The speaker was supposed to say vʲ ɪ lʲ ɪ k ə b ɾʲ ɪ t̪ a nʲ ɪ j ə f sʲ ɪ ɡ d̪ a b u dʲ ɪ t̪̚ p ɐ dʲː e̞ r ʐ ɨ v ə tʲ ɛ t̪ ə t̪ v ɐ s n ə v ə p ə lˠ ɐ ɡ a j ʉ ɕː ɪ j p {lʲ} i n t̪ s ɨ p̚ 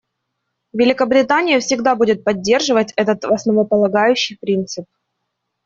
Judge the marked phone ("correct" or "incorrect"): incorrect